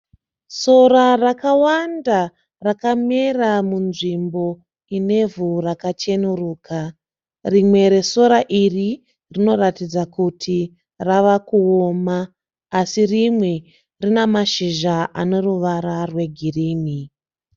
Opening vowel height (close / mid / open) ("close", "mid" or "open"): mid